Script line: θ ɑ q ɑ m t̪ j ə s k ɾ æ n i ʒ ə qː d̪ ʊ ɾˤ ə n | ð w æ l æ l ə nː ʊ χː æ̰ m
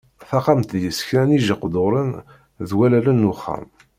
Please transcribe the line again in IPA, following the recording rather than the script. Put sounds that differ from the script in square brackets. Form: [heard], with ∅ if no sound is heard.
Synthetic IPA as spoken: θ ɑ q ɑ m t̪ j ə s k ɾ æ n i ʒ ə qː d̪ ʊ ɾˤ ə n | ð w æ l æ l ə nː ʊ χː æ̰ m